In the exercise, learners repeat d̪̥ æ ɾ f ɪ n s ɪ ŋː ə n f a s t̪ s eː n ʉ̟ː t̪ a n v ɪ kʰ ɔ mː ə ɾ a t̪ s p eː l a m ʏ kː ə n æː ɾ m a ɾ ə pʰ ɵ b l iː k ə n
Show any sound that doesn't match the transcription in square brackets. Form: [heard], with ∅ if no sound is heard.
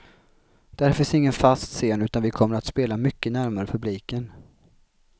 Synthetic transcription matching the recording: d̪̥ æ ɾ f ɪ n s ɪ ŋː ə n f a s t̪ s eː n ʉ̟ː t̪ a n v ɪ kʰ ɔ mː ə ɾ a t̪ s p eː l a m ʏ kː ə n [æ] ɾ m a ɾ ə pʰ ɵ b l iː k ə n